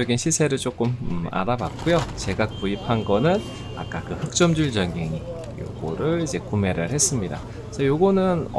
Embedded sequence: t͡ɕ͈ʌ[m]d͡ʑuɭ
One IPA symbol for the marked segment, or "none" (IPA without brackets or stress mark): m